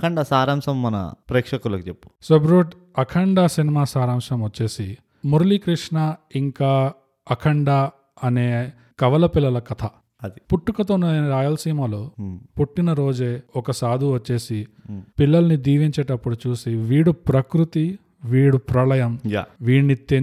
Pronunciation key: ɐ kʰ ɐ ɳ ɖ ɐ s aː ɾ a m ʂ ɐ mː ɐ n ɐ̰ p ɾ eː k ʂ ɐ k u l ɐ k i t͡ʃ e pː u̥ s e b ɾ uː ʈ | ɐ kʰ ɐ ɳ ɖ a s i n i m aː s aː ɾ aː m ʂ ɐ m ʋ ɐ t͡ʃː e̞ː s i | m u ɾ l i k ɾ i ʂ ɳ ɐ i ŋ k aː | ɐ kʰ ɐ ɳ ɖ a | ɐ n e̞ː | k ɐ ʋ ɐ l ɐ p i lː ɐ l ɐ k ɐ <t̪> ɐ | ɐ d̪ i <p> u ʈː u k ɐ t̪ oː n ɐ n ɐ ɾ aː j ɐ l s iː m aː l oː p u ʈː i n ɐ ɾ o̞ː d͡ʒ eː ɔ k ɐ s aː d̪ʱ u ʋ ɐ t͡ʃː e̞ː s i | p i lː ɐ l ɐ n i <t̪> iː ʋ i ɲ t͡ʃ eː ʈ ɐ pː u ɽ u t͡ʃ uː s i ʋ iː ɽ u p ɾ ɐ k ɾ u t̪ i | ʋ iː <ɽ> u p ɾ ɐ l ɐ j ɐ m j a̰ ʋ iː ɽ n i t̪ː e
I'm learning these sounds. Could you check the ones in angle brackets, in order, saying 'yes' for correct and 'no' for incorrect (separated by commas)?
no, yes, no, yes